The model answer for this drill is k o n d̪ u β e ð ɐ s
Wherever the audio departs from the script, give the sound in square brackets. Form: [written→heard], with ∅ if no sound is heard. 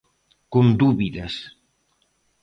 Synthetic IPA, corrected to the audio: k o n d̪ u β [e→i] ð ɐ s